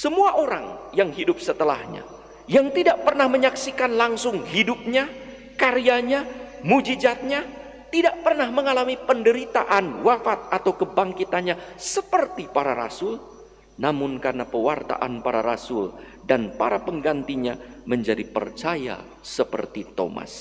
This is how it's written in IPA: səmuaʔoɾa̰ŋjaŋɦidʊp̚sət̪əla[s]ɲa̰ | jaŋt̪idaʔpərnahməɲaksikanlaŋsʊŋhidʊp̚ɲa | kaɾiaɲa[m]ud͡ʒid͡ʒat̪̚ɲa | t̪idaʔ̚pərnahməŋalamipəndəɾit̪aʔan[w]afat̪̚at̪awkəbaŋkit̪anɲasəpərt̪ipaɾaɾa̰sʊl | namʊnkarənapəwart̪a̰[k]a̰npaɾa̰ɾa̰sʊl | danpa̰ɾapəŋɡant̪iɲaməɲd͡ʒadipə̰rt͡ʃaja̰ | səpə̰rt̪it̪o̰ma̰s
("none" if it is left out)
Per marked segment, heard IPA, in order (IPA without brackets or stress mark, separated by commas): h, m, w, ʔ